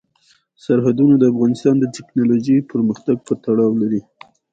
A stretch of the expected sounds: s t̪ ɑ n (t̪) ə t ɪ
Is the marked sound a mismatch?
yes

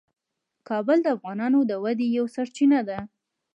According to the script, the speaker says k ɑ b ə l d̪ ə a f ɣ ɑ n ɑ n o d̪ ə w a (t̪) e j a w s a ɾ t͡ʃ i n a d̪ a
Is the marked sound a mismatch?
yes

